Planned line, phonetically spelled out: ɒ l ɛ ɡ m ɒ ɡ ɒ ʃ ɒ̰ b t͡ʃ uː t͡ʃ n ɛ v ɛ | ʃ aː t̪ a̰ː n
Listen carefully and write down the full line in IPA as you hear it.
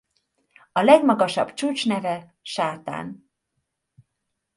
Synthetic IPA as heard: ɒ l ɛ ɡ m ɒ ɡ ɒ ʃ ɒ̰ b t͡ʃ uː t͡ʃ n ɛ v ɛ | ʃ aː t̪ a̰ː n